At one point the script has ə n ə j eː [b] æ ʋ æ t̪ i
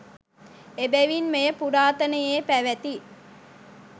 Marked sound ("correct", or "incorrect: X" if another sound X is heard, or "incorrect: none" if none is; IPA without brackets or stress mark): incorrect: p